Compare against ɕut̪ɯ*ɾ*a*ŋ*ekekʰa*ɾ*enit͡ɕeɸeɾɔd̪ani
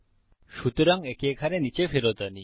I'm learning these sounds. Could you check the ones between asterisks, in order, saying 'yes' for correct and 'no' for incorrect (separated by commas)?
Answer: yes, yes, yes